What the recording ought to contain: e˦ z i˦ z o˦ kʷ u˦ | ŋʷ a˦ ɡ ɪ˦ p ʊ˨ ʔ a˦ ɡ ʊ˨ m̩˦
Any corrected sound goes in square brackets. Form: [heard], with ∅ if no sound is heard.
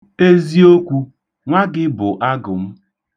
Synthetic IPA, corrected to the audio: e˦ z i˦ [∅] o˦ kʷ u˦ | ŋʷ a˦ ɡ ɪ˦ [b] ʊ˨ ʔ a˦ ɡ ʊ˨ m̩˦